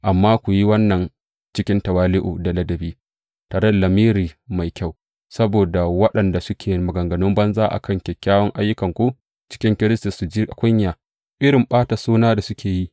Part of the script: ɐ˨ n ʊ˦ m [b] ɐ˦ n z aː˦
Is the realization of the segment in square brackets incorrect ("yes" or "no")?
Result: no